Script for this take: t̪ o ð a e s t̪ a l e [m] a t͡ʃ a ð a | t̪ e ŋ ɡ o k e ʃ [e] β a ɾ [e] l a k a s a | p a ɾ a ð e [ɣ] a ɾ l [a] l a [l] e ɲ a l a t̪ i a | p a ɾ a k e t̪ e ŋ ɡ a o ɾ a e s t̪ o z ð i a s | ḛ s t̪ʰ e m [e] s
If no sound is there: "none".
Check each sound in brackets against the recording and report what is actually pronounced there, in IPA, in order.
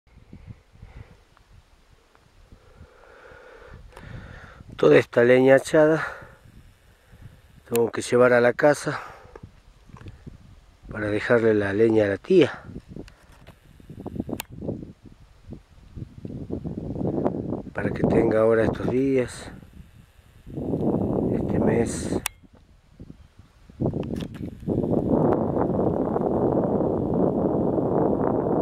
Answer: ɲ, e, a, x, e, l, e

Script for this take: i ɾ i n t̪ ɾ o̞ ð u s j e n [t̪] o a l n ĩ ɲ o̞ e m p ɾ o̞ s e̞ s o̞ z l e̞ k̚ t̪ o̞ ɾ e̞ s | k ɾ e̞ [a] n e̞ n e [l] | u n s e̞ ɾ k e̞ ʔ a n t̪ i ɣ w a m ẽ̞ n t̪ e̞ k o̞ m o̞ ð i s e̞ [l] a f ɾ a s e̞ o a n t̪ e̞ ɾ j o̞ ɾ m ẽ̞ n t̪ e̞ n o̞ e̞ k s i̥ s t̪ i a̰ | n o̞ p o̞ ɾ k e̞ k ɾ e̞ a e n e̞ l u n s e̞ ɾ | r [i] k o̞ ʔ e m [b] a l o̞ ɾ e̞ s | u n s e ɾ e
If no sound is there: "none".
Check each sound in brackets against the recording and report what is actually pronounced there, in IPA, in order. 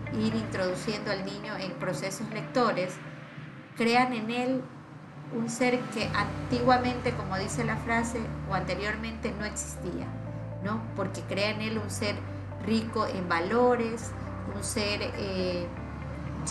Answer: d̪, a, l, l, i, b

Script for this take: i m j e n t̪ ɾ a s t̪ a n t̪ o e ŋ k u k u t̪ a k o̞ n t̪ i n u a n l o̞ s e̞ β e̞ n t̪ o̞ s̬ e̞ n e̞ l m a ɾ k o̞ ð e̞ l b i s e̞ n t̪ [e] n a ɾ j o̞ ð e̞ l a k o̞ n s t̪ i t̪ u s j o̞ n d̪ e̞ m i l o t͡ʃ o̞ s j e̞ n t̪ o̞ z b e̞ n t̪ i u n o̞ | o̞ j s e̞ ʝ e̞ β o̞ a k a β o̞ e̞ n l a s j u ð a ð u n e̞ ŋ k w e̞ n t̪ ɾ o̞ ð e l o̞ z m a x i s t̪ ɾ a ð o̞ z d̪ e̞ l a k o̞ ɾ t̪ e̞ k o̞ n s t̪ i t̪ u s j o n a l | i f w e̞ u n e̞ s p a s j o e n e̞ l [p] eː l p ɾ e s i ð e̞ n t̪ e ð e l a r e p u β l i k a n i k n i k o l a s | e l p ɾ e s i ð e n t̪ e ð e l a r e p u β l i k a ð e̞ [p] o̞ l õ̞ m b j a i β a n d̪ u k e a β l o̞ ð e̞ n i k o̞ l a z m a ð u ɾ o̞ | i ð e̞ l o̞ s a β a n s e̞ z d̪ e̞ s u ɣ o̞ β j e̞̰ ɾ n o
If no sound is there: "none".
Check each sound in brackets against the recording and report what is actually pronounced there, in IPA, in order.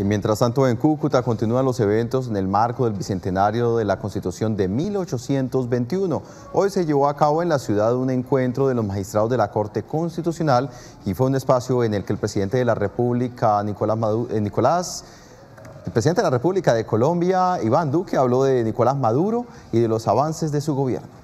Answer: e, k, k

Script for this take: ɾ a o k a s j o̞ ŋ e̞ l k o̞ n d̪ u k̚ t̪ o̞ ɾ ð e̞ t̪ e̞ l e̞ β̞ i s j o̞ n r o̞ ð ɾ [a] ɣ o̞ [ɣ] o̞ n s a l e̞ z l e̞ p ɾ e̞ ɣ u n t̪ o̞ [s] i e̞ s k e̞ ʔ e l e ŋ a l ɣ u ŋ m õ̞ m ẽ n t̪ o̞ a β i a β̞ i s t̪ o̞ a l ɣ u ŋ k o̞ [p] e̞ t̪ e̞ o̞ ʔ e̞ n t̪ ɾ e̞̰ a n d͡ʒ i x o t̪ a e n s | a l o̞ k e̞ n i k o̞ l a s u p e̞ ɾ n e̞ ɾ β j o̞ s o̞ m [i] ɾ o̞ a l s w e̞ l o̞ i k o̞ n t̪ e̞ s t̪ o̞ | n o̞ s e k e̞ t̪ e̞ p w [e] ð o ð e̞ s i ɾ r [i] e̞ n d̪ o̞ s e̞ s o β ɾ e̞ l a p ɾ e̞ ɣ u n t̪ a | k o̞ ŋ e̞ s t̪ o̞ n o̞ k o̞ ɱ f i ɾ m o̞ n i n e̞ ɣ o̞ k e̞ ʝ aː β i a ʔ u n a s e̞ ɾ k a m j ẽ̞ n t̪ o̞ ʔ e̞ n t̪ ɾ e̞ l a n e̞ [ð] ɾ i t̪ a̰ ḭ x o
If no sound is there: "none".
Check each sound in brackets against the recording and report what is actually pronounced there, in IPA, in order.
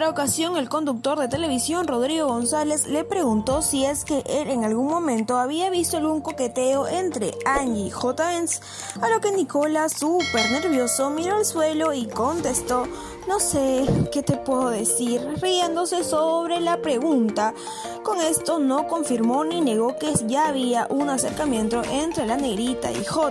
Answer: i, ɣ, s, k, i, e, i, ɣ

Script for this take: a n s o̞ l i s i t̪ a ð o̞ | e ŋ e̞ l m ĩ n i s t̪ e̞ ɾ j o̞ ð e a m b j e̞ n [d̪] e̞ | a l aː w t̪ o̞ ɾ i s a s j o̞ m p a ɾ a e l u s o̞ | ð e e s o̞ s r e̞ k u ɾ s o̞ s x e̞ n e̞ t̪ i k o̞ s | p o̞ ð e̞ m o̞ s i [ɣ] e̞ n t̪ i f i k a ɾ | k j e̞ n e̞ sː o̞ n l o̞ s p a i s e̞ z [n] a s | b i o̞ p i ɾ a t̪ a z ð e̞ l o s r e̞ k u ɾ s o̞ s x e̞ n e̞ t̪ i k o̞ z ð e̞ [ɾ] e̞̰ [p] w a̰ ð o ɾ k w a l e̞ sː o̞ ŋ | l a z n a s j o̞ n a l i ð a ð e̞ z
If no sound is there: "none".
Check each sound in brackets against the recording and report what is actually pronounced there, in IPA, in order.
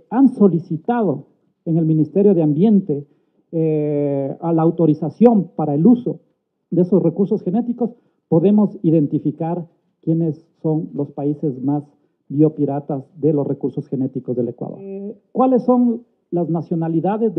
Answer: t̪, ð, m, l, k

